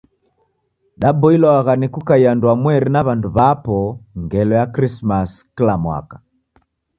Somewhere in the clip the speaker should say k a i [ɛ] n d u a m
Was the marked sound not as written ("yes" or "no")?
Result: yes